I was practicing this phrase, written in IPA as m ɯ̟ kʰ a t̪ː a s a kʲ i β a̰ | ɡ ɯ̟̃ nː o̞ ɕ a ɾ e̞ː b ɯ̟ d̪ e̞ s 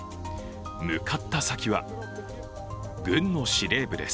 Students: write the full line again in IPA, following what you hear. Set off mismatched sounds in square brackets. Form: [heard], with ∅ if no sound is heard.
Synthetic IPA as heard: m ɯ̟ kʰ a t̪ː a s a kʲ i β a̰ | ɡ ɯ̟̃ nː o̞ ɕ [i] ɾ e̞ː b ɯ̟ d̪ e̞ s

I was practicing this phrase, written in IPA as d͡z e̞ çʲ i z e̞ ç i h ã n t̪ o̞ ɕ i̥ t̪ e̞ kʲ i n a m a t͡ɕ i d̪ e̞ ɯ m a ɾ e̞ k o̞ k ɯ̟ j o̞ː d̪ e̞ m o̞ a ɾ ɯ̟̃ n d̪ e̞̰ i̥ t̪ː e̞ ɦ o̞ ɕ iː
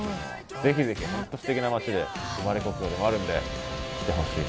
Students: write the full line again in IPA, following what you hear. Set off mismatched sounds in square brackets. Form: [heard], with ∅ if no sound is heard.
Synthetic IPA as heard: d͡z e̞ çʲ i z e̞ ç i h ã n t̪ o̞ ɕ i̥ t̪ e̞ kʲ i n a m a t͡ɕ i d̪ e̞ ɯ m a ɾ e̞ k o̞ k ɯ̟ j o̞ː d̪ e̞ m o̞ a ɾ ɯ̟̃ n d̪ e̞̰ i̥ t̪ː e̞ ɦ o̞ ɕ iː

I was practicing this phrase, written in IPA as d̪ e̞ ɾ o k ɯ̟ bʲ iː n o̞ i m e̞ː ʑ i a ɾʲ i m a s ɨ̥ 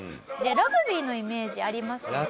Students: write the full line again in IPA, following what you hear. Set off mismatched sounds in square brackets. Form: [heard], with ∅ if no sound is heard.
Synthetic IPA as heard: d̪ e̞ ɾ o [ɡ] ɯ̟ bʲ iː n o̞ i m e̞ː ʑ i a ɾʲ i m a s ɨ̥

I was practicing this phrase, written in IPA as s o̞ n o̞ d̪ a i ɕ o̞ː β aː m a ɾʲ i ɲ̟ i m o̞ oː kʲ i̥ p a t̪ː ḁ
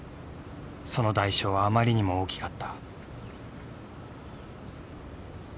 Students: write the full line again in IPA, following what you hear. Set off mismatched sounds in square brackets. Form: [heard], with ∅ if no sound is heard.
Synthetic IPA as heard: s o̞ n o̞ d̪ a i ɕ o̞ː β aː m a ɾʲ i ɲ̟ i m o̞ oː kʲ i̥ [k] a t̪ː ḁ

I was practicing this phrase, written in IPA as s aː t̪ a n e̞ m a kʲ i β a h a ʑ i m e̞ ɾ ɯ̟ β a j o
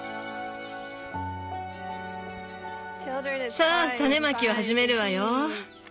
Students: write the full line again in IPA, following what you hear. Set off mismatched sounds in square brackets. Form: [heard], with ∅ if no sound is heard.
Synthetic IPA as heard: s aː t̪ a n e̞ m a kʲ i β a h a ʑ i m e̞ ɾ ɯ̟ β a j o

